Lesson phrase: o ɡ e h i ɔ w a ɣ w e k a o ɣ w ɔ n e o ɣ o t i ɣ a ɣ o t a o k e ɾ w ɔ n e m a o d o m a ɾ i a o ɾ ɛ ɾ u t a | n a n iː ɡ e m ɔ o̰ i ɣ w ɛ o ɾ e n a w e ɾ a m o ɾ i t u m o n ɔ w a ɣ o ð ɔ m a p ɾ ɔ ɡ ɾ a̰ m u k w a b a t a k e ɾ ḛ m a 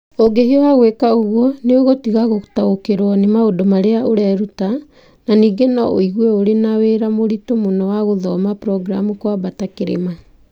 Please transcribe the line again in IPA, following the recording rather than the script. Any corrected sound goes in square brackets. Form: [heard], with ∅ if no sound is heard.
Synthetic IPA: o ɡ e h i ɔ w a ɣ w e k a o ɣ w ɔ n e o ɣ o t i ɣ a ɣ o t a o k e ɾ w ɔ n e m a o d o m a ɾ [e] a o ɾ ɛ ɾ u t a | n a n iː ɡ e [n] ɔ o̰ i ɣ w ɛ o ɾ e n a w e ɾ a m o ɾ i t [o] m o n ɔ w a ɣ o ð ɔ m a p ɾ ɔ ɡ ɾ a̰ m u k w a b a t a k e ɾ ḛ m a